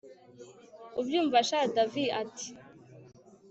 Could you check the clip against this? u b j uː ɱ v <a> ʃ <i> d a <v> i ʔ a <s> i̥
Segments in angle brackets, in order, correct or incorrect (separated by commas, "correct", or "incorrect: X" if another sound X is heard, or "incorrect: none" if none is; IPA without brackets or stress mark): correct, incorrect: a, correct, incorrect: t